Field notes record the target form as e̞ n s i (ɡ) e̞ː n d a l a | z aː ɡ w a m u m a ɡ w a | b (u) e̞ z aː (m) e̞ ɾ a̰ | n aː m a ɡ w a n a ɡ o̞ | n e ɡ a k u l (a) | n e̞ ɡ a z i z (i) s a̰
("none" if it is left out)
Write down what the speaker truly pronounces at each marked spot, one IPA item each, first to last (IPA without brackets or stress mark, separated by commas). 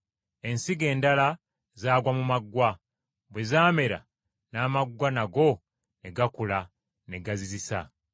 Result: ɡ, w, m, a, i